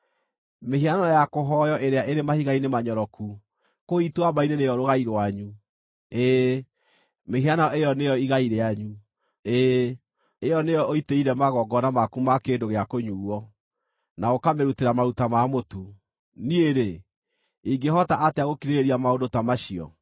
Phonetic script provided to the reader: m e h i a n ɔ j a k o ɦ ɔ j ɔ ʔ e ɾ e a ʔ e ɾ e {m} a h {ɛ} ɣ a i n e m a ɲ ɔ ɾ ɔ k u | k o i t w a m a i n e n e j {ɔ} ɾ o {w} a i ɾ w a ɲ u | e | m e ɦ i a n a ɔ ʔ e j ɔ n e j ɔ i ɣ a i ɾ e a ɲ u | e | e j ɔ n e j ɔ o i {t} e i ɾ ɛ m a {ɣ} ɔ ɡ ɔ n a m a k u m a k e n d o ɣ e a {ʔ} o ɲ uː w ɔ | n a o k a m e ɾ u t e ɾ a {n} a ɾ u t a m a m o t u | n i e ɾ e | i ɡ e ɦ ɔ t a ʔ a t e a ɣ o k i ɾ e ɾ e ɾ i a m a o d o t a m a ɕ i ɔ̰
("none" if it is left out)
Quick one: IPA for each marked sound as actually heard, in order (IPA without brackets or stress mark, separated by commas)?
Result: m, i, ɔ, ɣ, t, ɣ, k, m